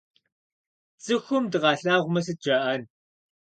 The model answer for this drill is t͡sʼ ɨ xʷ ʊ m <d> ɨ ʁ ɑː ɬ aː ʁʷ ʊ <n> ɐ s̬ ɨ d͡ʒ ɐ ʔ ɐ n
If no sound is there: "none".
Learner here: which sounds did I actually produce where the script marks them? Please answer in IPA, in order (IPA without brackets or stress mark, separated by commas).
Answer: d, m